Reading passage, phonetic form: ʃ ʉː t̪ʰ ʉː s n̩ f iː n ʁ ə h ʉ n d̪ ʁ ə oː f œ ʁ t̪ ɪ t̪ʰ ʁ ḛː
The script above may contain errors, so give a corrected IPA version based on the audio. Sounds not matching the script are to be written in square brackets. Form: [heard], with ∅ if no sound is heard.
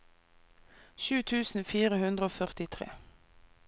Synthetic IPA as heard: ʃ ʉː t̪ʰ ʉː s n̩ f iː [∅] ʁ ə h ʉ n d̪ ʁ ə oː f œ ʁ t̪ ɪ t̪ʰ ʁ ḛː